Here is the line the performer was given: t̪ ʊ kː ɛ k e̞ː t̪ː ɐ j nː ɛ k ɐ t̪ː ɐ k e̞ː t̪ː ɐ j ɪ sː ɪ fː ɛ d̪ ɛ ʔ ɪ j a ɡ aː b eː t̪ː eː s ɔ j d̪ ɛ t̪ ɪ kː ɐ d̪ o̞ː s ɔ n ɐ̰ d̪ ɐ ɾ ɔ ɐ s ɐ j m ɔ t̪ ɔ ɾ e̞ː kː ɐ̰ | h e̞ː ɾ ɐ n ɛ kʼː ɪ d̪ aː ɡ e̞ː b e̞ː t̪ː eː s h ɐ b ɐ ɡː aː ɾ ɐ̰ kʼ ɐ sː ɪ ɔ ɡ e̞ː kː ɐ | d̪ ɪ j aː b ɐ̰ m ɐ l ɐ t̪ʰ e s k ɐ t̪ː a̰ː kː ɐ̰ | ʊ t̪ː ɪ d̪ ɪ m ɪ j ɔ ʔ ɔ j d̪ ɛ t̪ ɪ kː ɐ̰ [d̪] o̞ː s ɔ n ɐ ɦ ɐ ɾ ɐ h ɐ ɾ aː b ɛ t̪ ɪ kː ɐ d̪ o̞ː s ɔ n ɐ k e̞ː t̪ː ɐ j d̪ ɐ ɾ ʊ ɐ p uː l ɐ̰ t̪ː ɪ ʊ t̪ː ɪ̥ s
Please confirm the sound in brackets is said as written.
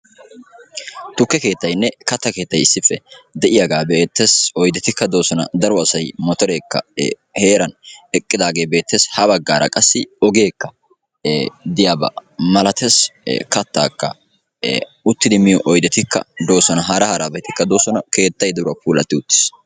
yes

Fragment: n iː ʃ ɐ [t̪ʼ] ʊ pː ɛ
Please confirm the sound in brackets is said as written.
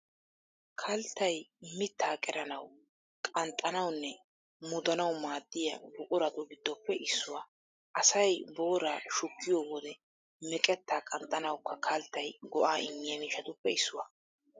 no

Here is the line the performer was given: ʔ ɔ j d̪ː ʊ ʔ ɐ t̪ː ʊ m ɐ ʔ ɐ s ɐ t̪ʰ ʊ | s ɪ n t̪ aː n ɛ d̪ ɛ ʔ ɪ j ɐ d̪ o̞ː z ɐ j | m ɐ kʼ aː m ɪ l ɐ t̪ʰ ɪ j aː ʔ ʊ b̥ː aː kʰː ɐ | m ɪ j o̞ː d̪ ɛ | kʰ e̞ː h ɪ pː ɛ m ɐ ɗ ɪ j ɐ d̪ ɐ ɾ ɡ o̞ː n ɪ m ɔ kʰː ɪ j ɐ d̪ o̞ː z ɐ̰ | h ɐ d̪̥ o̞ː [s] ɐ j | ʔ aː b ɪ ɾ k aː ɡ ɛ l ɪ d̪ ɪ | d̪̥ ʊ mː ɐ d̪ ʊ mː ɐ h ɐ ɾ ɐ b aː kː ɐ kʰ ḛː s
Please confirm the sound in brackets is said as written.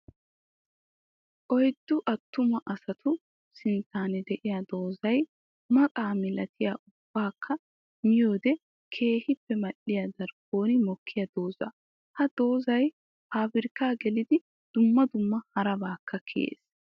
no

